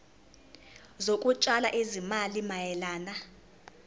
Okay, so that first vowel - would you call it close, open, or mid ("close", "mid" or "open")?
mid